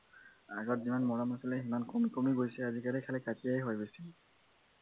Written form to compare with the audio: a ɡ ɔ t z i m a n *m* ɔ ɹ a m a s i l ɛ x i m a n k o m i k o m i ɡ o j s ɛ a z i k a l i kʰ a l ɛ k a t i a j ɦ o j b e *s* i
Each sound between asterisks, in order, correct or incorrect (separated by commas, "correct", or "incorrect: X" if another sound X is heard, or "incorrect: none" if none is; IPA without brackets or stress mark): correct, correct